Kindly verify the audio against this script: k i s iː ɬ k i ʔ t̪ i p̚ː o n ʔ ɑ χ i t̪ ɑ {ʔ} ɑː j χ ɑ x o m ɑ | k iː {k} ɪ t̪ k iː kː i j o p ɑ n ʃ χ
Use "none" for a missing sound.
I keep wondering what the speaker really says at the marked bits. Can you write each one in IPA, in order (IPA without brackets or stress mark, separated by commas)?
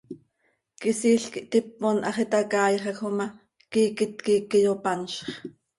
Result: k, k